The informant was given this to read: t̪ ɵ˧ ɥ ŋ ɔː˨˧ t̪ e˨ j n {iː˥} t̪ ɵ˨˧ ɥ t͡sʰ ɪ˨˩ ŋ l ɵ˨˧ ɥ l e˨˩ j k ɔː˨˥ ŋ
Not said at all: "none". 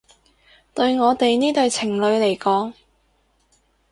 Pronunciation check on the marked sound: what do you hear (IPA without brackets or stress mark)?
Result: iː˥